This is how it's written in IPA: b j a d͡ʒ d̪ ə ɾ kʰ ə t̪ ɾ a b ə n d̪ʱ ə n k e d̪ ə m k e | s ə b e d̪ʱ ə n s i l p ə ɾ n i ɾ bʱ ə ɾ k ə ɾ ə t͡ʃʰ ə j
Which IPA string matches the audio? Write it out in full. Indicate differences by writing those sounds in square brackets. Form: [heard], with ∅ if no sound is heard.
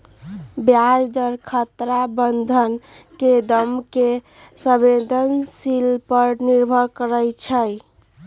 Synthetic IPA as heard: b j a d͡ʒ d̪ ə ɾ kʰ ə t̪ ɾ a b ə n d̪ʱ ə n k e d̪ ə m k e | s ə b e d̪ʱ ə n s i l p ə ɾ n i ɾ bʱ ə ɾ k ə ɾ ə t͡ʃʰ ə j